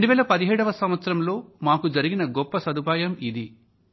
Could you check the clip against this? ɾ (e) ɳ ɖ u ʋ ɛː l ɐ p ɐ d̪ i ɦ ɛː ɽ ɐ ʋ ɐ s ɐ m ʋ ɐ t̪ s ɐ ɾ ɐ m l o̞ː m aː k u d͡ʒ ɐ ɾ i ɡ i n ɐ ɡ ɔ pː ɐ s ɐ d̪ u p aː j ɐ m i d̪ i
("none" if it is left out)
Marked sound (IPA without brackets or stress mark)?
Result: e